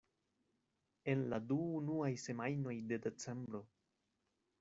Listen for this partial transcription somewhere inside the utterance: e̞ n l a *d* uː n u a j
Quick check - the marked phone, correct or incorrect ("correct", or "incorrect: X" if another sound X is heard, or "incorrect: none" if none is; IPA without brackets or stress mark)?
correct